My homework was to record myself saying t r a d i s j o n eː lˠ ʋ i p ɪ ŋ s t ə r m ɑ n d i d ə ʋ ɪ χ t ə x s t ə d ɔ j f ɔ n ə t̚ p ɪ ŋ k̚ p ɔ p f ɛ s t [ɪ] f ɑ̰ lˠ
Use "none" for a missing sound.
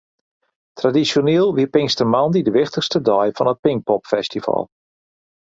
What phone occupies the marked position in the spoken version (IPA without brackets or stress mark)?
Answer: i